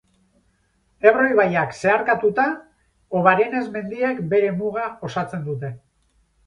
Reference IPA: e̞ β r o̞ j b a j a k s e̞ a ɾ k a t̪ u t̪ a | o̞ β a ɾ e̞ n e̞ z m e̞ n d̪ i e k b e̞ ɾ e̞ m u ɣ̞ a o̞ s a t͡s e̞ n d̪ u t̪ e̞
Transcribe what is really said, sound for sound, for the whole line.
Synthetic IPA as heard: e̞ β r o̞ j β a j a k s e̞ a ɾ k a t̪ u t̪ a | o̞ β a ɾ e̞ n e̞ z m e̞ n d̪ i e k b e̞ ɾ e̞ m u ɣ̞ a o̞ s a t͡s e̞ n d̪ u t̪ e̞